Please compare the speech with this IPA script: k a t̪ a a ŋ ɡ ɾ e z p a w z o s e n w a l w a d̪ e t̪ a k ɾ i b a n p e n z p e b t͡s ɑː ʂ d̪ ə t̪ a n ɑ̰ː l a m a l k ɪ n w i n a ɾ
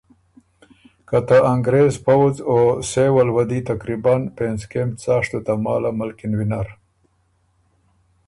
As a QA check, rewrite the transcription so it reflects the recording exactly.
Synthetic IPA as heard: k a t̪ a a ŋ ɡ ɾ e z p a w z o s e w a l w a d̪ i t̪ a k ɾ i b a n p e n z k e m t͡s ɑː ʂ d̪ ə t̪ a m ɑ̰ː l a m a l k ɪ n w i n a ɾ